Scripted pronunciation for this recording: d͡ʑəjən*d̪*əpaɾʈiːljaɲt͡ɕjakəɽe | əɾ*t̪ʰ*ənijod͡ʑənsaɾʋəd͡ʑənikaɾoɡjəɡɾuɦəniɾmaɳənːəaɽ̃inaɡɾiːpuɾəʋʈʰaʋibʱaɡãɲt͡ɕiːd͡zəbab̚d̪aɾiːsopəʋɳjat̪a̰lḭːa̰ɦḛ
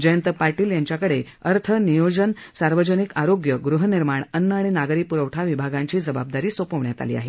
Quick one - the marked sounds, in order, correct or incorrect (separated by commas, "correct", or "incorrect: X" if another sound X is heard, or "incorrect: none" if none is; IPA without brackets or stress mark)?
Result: incorrect: t̪, correct